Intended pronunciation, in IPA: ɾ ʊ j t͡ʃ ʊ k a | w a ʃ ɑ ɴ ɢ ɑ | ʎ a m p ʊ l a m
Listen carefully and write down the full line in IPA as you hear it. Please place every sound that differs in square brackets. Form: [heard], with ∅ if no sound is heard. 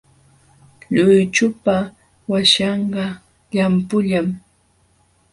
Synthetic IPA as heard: [ʎ] ʊ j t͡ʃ ʊ [p] a | w a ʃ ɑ ɴ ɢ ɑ | ʎ a m p ʊ [ʎ] a m